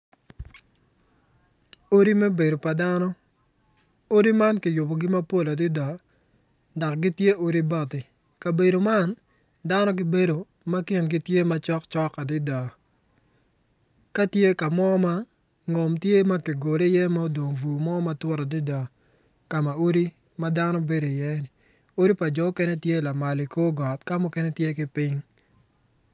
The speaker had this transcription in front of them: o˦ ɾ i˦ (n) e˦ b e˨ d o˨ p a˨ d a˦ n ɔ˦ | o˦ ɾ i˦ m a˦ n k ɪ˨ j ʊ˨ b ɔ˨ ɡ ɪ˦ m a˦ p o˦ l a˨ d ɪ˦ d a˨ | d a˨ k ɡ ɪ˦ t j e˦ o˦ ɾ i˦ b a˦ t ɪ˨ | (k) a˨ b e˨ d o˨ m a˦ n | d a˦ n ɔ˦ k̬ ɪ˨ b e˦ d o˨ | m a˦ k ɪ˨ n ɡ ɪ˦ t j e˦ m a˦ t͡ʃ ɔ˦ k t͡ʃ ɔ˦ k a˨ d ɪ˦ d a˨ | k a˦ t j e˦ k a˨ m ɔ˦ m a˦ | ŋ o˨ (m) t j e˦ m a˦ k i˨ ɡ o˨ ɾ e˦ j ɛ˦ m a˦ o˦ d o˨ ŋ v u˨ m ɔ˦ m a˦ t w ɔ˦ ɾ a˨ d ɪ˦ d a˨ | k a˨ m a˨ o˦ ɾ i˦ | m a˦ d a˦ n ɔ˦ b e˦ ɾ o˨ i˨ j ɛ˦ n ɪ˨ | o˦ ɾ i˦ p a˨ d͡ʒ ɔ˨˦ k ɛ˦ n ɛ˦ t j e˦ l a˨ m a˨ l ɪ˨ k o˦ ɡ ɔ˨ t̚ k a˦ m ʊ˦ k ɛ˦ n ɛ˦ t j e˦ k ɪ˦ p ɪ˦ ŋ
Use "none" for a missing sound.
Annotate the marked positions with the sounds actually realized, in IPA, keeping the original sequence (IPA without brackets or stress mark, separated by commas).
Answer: m, k, m